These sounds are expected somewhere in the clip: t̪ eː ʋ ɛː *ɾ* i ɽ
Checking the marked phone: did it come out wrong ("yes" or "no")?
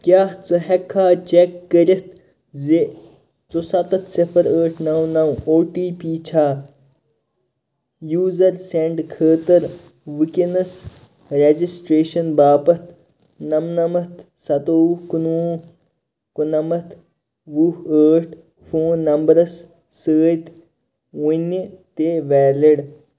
yes